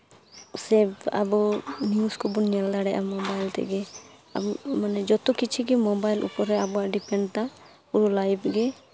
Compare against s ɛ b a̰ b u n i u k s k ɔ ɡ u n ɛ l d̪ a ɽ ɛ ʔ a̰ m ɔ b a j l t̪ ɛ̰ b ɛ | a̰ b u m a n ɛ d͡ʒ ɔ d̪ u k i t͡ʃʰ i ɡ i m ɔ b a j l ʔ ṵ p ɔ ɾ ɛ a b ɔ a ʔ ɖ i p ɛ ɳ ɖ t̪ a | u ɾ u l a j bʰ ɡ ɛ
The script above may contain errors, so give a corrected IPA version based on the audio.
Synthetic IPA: s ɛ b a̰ b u n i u s k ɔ b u n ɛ l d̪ a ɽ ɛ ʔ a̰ m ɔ b a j l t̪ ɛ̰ ɡ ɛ | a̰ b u m a n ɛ d͡ʒ ɔ t̪ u k i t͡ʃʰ i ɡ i m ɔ b a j l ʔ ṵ p ɔ ɾ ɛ a b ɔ a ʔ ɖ i p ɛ ɳ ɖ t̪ a | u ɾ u l a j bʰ ɡ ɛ